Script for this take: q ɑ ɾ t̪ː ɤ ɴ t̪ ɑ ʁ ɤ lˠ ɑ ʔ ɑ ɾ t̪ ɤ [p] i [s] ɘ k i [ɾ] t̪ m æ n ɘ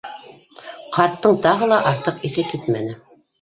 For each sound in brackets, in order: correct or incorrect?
incorrect: q, incorrect: θ, incorrect: none

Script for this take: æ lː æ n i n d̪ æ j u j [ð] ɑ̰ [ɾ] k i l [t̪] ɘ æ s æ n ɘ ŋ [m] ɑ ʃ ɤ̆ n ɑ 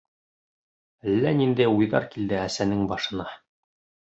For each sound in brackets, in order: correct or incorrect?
correct, correct, incorrect: d̪, incorrect: b

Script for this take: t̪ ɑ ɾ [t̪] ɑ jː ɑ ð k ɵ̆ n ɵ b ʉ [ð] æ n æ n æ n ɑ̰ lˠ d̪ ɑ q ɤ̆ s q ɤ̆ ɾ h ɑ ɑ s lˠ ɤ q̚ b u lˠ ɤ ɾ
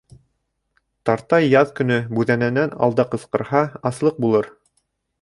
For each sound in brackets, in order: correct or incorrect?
correct, correct

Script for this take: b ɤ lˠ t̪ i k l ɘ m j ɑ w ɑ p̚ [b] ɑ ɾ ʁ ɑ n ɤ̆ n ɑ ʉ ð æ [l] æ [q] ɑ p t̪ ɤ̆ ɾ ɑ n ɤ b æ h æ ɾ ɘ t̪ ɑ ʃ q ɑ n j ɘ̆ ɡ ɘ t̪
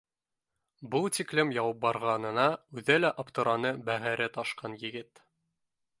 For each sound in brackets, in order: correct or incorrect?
correct, correct, incorrect: ʔ

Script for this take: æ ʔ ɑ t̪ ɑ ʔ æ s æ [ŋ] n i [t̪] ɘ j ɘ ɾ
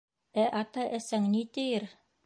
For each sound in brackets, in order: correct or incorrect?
correct, correct

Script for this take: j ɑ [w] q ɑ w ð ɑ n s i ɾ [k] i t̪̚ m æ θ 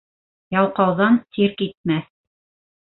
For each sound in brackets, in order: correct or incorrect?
correct, correct

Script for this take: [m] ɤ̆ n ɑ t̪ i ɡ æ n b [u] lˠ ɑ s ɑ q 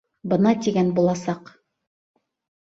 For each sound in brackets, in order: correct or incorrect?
incorrect: b, correct

